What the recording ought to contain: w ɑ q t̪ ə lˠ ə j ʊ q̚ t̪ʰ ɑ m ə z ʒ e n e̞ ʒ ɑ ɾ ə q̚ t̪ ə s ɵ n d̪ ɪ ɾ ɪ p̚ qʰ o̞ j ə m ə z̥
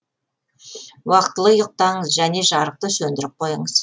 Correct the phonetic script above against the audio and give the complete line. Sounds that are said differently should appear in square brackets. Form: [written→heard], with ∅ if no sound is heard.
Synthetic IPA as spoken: w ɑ q t̪ ə lˠ ə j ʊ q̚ [t̪ʰ→t̪] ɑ [m→ɴ] ə z ʒ [e→æ] n e̞ ʒ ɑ ɾ ə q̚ t̪ ə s ɵ n d̪ ɪ ɾ ɪ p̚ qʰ o̞ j ə [m→ɴ] ə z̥